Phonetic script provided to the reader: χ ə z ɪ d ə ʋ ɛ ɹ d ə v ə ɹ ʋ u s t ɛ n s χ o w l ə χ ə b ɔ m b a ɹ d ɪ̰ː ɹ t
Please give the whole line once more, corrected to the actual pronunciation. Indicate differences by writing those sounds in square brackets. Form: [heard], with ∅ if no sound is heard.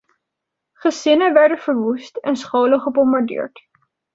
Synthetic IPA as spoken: χ ə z ɪ [n] ə ʋ ɛ ɹ d ə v ə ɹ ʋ u s t ɛ n s χ o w l ə χ ə b ɔ m b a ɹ d ɪ̰ː ɹ t